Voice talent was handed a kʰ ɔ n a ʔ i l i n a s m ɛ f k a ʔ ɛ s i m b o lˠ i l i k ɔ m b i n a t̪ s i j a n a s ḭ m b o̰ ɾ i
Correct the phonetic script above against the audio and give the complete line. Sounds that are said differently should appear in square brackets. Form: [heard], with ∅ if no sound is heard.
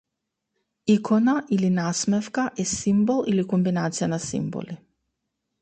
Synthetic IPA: [i] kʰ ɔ n a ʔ i l i n a s m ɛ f k a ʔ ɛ s i m b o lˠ i l i k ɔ m b i n a t̪ s i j a n a s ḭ m b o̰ [l] i